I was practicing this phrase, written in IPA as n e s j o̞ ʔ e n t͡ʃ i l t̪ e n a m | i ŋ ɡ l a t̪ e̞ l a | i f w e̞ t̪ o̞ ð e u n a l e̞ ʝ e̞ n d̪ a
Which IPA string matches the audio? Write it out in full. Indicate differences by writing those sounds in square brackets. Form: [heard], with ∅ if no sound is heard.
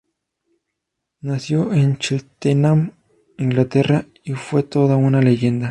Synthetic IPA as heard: n [a] s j o̞ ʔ e n t͡ʃ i l t̪ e n a m | i ŋ ɡ l a t̪ e̞ [r] a | i f w e̞ t̪ o̞ ð [a] u n a l e̞ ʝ e̞ n d̪ a